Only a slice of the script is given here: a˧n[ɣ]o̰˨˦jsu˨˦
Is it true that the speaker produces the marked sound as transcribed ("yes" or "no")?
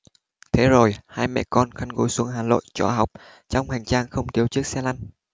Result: yes